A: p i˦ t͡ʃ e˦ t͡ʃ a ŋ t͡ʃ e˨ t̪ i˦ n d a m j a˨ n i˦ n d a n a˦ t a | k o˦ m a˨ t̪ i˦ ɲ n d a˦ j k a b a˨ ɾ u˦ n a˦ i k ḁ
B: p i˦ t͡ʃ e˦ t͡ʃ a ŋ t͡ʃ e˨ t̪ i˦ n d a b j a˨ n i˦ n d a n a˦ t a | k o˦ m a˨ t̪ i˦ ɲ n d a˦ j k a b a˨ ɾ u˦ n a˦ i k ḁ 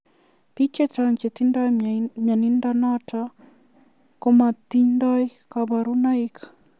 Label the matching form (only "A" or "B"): A